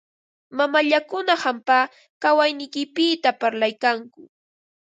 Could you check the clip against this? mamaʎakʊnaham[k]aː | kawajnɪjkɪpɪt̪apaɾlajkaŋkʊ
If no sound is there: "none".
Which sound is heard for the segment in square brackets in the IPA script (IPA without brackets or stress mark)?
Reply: p